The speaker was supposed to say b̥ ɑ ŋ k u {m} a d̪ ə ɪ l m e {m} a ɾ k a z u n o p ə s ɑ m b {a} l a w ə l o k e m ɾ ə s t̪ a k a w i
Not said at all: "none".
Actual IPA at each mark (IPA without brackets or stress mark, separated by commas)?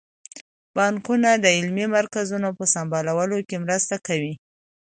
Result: n, m, ɑ